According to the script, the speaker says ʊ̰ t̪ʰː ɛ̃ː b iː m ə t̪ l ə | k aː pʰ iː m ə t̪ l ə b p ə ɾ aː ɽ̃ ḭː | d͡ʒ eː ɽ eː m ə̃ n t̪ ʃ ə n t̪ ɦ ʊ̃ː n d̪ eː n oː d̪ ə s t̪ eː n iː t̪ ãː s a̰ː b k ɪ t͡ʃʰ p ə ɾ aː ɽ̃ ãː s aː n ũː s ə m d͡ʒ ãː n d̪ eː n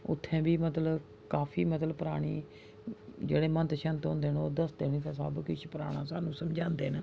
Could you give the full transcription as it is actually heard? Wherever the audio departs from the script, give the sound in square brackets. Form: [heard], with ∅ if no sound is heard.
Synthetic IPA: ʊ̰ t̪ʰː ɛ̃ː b iː m ə t̪ l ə | k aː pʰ iː m ə t̪ l ə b p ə ɾ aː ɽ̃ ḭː | d͡ʒ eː ɽ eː m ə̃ n t̪ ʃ ə n t̪ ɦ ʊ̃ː n d̪ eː n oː d̪ ə s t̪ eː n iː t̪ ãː s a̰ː b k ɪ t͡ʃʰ p ə ɾ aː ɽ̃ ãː s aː n ũː s ə m d͡ʒ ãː n d̪ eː n